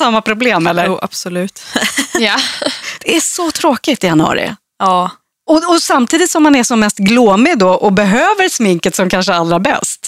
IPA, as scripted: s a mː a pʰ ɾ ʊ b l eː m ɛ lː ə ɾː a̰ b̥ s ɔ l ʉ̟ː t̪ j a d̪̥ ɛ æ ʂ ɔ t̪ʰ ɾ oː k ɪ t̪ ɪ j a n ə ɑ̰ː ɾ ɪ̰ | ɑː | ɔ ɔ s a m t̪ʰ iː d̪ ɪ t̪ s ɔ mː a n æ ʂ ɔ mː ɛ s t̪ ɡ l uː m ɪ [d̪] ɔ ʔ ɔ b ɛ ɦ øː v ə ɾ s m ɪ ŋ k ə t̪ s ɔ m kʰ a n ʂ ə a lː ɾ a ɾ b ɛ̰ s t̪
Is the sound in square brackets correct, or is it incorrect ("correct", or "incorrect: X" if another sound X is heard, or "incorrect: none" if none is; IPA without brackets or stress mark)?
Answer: correct